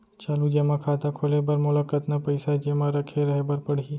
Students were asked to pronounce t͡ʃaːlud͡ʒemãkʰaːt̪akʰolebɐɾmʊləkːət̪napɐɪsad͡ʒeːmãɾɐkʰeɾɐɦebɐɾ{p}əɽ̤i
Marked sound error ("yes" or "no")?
no